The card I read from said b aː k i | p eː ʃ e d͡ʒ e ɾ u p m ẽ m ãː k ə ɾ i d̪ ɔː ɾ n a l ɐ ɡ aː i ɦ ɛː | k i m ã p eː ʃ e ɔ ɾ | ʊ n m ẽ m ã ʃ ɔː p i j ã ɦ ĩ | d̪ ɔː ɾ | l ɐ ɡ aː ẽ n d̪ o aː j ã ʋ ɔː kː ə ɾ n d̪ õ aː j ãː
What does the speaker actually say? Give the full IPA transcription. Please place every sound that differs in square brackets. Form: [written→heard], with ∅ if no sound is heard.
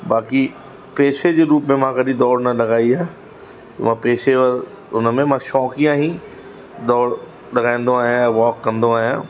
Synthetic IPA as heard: b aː k i | p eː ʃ e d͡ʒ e ɾ [u→uː] p m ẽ m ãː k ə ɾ i d̪ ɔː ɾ n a l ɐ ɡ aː i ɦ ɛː | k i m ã p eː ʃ e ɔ ɾ | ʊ n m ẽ m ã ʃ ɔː [p→k] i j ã ɦ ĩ | d̪ ɔː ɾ | l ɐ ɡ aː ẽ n d̪ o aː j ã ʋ ɔː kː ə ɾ n d̪ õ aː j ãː